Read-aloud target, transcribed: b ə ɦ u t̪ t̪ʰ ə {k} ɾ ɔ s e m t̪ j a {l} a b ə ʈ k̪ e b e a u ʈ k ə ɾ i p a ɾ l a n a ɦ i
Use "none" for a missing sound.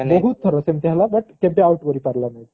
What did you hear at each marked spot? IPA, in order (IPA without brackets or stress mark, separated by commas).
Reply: none, l